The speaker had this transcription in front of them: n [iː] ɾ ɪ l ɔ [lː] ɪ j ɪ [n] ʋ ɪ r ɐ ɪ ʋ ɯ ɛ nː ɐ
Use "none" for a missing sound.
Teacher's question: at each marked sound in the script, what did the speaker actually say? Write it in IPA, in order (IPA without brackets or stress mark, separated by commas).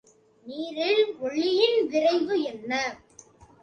iː, ɭː, n